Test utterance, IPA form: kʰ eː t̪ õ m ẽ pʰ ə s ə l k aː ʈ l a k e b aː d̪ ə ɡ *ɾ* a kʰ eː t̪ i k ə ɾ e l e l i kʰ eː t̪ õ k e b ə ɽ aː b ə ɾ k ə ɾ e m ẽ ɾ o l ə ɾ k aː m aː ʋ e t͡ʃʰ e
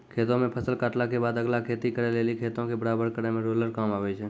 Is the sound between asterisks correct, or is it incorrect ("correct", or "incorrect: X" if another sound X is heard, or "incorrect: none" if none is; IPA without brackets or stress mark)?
incorrect: l